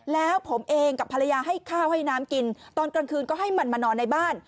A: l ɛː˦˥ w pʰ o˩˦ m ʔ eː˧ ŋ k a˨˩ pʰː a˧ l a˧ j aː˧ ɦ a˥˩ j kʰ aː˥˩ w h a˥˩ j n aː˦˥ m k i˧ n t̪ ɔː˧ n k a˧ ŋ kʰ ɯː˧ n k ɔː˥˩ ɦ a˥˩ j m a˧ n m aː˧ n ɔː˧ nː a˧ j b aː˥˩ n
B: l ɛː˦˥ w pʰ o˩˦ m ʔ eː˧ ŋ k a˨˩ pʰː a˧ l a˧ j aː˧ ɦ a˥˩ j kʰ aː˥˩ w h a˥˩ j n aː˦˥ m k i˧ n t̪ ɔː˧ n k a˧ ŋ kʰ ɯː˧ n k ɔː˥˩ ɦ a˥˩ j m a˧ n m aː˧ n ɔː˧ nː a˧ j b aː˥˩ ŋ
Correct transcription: A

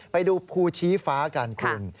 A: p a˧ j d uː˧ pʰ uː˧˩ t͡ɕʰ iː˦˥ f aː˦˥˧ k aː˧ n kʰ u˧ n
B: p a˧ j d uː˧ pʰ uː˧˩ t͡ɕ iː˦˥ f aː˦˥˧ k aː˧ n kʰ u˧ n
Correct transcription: A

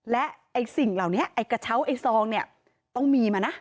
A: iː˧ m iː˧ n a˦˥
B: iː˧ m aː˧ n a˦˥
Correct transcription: B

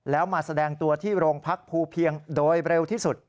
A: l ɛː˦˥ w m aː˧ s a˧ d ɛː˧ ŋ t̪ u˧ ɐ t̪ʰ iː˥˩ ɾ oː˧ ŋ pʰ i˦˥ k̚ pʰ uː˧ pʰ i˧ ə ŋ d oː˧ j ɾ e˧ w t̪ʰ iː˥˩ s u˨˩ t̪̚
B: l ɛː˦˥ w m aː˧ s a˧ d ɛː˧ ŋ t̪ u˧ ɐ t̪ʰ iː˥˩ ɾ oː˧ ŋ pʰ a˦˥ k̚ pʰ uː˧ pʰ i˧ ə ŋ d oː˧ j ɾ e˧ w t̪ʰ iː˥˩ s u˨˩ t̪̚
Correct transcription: B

